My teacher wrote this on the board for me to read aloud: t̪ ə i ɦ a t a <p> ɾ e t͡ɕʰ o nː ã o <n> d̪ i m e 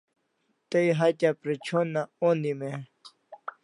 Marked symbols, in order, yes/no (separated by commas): yes, yes